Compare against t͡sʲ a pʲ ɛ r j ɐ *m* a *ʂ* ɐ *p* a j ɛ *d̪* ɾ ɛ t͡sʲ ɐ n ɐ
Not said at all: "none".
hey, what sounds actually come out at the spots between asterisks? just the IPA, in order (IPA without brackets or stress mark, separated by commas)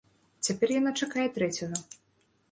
n, t͡ʂ, k, t̪